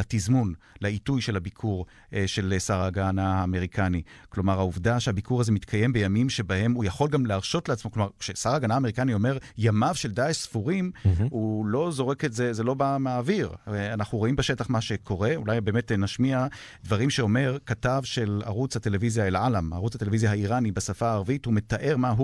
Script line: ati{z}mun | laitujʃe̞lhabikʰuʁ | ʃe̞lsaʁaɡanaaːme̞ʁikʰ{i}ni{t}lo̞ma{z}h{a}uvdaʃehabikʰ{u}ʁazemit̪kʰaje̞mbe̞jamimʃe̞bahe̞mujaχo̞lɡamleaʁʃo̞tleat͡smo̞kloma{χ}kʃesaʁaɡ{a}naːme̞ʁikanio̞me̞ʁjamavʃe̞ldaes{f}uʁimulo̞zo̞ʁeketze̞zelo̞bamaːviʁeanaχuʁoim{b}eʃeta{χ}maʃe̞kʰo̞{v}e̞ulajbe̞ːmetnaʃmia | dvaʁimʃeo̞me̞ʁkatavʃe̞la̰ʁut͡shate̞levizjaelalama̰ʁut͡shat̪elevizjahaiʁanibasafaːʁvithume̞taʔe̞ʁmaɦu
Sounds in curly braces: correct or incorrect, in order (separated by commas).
correct, incorrect, incorrect, incorrect, correct, correct, incorrect, correct, correct, correct, correct, incorrect